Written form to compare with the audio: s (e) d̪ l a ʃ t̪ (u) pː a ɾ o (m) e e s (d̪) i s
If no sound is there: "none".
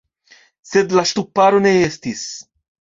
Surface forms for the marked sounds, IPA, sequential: e, u, n, t̪

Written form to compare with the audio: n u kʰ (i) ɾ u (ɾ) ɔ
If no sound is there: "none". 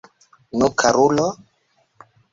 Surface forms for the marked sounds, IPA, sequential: a, l

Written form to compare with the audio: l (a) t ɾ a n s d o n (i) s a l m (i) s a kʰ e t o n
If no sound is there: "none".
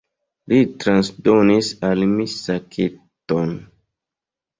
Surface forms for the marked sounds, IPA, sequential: i, i, i

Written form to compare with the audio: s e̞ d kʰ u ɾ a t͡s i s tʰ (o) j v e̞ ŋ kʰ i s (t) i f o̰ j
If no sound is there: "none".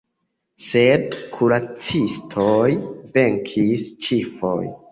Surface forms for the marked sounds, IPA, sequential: o, t͡ʃ

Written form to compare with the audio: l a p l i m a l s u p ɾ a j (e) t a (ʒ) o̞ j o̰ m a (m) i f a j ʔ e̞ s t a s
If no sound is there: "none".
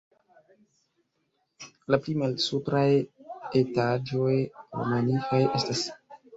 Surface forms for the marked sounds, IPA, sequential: e, d͡ʒ, n

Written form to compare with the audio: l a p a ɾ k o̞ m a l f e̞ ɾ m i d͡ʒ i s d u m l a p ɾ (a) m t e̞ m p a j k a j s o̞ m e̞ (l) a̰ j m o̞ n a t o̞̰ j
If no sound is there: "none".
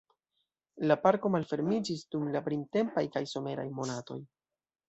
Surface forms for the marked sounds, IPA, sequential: i, ɾ

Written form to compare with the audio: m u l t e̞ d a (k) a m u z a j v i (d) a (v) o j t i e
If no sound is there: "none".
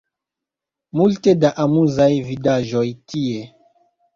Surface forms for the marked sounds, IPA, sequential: ʔ, d, ʒ

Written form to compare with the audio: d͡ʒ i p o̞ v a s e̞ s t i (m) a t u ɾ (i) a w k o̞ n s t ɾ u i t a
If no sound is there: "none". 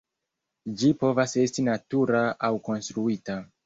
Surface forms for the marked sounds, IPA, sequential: n, a

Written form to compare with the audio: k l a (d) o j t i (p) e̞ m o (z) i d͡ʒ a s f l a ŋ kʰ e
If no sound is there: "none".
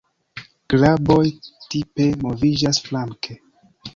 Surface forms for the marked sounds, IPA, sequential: b, p, v

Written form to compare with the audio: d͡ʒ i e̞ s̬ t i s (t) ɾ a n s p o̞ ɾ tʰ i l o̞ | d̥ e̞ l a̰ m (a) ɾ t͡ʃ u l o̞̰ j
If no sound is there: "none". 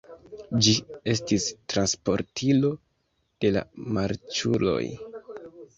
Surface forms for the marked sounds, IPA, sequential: t, a

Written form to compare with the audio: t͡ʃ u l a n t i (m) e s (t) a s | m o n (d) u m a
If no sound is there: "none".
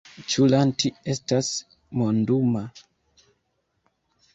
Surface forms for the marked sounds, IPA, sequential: none, t, d

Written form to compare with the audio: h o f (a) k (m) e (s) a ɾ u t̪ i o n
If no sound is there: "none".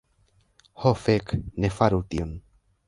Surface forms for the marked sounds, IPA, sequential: e, n, f

